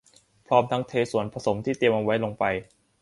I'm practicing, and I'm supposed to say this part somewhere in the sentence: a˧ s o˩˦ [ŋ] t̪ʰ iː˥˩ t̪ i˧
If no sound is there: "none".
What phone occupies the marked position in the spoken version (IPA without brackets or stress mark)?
m